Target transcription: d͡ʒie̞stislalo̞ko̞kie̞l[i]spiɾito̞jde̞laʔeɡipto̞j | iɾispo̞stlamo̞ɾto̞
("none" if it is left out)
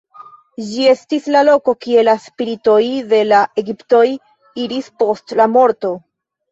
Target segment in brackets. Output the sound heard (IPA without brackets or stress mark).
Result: a